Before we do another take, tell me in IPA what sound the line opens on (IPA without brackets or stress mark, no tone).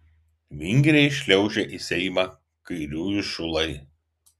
ʋʲ